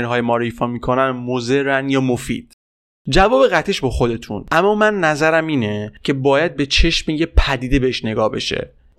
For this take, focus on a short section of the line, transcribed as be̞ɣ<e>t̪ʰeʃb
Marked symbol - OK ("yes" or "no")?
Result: no